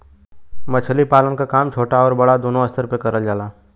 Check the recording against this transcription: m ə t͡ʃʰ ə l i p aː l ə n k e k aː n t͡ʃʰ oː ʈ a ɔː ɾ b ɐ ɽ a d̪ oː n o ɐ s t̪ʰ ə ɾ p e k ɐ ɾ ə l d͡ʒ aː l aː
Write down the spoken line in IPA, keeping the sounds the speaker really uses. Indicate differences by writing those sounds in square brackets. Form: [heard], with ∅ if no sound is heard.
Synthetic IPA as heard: m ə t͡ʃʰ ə l i p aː l ə n k [a] k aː [m] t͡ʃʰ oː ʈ a ɔː ɾ b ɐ ɽ a d̪ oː n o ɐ s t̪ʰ ə ɾ p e k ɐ ɾ ə l d͡ʒ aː l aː